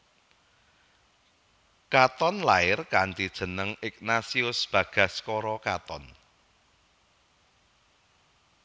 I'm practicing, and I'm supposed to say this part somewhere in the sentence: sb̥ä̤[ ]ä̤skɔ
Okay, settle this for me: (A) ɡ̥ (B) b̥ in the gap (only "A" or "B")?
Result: A